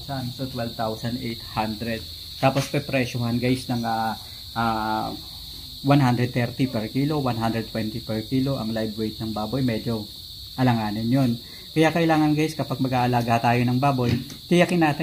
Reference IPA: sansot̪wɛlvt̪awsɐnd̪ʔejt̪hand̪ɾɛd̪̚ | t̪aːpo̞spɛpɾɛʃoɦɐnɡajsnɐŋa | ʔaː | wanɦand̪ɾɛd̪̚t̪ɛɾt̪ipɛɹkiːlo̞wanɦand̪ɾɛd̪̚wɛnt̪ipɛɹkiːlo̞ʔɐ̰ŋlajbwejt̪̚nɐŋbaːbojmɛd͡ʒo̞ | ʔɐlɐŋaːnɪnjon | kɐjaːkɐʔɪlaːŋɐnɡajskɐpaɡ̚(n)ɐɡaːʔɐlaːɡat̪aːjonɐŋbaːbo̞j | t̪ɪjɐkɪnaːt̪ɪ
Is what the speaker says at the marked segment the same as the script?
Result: no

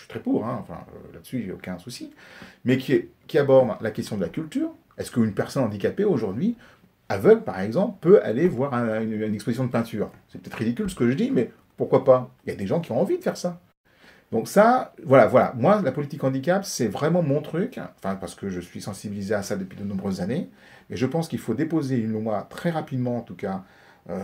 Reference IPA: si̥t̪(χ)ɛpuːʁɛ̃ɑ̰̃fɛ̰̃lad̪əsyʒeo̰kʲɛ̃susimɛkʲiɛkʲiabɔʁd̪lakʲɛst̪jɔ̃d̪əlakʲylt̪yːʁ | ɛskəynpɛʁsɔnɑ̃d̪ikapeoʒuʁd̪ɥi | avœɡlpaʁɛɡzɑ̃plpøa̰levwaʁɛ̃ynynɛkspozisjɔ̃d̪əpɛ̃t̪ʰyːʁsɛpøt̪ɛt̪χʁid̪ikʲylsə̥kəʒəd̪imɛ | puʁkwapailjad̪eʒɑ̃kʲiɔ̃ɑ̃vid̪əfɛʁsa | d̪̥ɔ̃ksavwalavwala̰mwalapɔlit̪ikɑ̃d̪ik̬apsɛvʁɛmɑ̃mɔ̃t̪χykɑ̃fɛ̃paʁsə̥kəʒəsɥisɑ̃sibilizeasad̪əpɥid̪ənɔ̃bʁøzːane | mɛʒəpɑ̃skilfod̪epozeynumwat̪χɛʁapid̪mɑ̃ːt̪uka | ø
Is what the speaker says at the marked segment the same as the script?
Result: yes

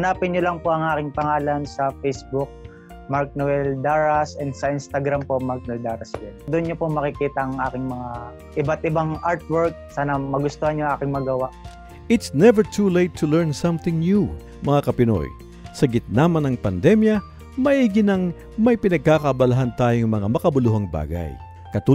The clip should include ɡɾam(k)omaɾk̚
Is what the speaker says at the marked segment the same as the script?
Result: no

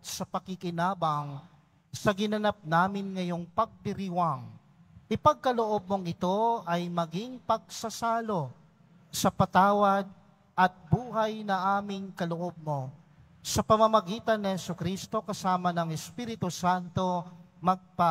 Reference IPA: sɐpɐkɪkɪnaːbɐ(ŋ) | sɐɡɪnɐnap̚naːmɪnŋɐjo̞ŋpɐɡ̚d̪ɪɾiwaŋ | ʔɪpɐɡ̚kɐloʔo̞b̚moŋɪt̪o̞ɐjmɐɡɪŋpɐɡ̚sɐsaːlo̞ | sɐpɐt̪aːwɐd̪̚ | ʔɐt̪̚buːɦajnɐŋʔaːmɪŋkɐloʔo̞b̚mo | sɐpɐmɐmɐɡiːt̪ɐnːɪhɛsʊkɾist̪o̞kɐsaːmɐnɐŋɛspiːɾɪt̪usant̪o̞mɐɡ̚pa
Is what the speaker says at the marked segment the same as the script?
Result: yes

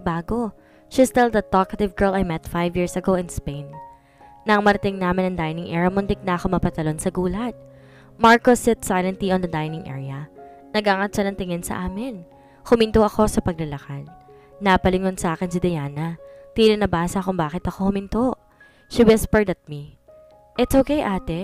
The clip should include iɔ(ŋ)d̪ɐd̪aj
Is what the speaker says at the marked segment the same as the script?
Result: no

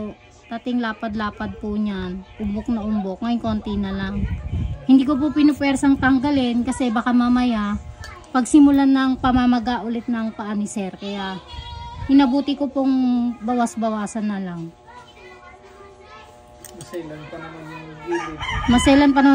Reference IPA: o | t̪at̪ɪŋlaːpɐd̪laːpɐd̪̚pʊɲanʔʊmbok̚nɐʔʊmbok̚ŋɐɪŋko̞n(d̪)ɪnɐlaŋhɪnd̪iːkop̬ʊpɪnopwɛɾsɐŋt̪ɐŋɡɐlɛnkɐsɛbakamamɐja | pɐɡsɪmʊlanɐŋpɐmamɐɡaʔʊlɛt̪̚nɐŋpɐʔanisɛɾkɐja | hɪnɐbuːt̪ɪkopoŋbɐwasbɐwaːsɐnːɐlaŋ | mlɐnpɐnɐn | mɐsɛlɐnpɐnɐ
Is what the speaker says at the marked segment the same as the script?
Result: no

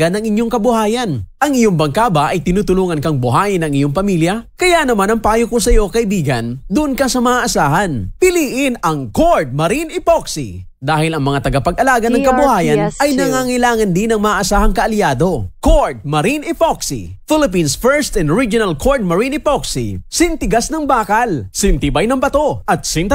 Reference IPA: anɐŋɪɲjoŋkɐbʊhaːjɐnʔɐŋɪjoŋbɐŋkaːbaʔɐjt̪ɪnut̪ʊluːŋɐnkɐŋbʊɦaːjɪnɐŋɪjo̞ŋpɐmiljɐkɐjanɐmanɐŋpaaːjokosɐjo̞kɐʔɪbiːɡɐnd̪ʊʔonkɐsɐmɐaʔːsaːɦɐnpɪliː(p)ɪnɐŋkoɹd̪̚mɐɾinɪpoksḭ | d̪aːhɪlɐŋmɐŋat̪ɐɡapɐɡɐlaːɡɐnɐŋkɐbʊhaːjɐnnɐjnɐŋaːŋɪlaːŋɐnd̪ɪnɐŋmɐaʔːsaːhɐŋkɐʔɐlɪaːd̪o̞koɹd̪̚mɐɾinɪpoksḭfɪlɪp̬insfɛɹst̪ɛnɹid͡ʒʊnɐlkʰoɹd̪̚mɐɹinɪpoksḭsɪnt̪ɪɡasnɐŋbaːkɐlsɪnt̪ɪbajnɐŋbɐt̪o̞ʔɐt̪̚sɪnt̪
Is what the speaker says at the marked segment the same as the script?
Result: no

